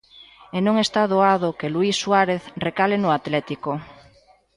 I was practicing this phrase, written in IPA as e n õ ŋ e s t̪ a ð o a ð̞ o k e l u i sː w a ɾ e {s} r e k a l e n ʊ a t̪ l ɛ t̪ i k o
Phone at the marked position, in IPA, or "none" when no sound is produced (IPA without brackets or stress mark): θ